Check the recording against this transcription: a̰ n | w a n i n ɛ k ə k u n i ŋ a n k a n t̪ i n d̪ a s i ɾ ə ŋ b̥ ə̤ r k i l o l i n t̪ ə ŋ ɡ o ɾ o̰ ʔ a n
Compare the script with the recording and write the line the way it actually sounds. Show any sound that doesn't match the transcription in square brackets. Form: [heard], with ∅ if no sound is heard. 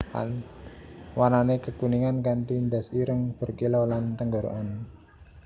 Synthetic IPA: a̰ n | w a n [a] n [e] k ə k u n i ŋ a n k a n t̪ i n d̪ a s i ɾ ə ŋ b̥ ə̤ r k i l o l [a] n t̪ ə ŋ ɡ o ɾ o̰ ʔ a n